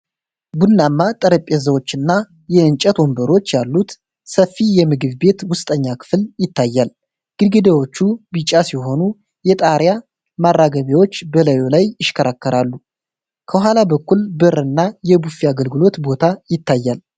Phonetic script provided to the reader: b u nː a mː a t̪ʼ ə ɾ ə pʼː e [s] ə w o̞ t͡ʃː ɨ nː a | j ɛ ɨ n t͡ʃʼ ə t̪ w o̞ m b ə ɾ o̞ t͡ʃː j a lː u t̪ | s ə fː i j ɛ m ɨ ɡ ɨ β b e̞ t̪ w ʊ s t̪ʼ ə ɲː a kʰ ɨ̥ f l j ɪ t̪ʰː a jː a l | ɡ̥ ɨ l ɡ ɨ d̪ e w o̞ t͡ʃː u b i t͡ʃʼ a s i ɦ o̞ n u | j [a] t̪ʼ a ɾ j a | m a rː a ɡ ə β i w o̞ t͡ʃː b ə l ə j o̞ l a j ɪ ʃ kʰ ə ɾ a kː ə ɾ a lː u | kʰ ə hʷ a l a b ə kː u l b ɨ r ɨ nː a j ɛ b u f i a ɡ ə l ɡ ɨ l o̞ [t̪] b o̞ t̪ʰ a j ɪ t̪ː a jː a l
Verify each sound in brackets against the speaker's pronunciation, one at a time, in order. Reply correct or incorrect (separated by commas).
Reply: incorrect, incorrect, correct